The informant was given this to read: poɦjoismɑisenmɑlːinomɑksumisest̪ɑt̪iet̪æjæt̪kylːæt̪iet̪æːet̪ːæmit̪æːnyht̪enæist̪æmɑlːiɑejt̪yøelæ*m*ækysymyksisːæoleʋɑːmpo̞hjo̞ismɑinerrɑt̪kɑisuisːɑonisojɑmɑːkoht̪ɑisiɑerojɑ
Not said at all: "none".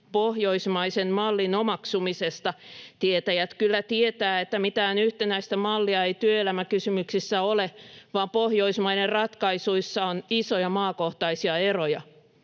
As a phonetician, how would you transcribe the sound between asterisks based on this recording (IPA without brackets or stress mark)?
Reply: m